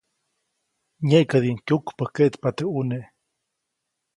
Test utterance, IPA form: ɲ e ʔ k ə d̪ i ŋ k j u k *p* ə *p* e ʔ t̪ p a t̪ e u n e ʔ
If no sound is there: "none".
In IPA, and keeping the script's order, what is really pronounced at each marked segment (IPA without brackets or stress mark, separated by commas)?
p, k